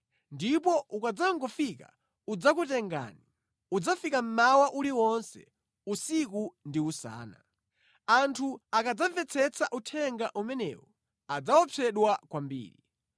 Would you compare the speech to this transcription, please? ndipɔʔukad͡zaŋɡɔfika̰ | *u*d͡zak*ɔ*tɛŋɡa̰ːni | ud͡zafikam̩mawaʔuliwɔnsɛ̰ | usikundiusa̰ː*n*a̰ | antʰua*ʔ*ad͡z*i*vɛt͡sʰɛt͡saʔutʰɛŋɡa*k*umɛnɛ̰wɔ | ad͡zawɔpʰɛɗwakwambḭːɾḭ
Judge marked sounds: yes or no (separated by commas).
yes, no, yes, no, no, no